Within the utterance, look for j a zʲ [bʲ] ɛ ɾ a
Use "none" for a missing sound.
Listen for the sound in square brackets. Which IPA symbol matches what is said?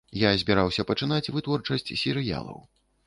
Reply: bʲ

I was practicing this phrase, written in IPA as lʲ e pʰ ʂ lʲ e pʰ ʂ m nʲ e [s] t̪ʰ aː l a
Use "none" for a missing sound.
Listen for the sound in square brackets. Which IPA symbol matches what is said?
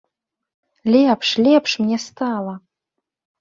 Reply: s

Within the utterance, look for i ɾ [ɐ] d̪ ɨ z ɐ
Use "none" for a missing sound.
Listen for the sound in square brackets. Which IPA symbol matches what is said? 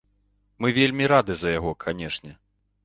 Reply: a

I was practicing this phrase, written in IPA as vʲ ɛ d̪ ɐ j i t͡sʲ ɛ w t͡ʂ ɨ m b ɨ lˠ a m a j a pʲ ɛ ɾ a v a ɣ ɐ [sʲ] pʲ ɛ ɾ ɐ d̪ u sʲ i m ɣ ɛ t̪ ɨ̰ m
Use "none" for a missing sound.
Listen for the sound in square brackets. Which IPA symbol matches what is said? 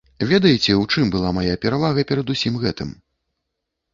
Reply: none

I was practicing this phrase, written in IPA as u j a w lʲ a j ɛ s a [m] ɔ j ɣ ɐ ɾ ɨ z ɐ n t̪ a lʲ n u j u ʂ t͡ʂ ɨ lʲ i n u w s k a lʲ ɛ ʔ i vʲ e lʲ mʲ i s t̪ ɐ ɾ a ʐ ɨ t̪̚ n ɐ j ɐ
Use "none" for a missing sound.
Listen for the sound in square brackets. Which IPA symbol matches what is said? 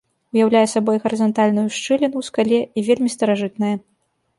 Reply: b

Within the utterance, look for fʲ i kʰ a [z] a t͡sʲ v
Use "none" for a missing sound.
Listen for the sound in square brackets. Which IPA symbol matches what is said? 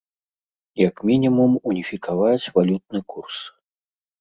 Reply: v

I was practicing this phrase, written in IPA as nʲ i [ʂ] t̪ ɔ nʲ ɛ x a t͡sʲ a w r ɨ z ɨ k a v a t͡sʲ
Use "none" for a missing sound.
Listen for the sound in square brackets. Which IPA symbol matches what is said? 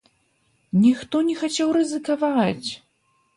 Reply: x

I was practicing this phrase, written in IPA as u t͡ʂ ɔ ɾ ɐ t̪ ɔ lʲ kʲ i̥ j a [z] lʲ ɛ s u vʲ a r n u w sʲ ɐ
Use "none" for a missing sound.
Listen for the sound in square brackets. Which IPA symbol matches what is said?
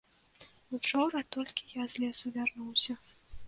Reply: z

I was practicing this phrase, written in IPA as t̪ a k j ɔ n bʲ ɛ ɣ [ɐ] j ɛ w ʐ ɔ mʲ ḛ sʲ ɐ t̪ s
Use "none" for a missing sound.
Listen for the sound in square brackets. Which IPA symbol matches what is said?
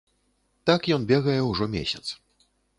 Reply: ɐ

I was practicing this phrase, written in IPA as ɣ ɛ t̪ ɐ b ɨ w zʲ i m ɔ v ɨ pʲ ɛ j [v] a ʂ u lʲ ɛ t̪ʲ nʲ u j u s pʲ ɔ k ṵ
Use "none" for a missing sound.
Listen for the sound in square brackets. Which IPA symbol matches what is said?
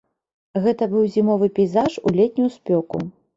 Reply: z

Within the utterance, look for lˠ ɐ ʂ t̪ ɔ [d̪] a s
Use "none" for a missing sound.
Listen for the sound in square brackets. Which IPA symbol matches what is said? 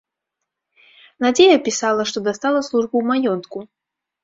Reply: d̪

